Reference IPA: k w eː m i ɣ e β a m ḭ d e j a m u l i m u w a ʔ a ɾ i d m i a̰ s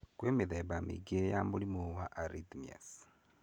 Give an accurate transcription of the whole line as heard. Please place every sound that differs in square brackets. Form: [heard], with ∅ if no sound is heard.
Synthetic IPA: k w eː m i [ð] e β a m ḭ [ɡ] e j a m u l i m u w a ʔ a ɾ i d m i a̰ s